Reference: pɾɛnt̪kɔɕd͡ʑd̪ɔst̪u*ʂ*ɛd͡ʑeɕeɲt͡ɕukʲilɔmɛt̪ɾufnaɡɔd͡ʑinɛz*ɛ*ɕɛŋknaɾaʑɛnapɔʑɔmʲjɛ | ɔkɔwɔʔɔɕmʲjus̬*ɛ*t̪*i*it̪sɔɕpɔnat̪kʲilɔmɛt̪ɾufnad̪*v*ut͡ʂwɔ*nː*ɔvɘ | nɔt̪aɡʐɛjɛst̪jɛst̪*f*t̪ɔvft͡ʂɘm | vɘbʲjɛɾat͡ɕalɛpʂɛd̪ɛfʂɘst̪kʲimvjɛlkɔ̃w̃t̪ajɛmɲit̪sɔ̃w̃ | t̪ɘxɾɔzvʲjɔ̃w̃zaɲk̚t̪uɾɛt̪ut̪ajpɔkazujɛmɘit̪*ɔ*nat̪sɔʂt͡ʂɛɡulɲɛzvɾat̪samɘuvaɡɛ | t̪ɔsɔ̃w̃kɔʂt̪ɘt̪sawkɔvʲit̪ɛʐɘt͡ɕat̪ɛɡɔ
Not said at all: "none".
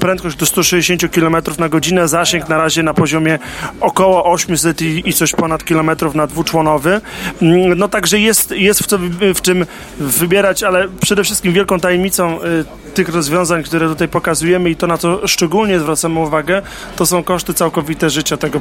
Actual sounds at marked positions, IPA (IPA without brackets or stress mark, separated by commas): ʂ, a, ɛ, i, v, n, f, ɔ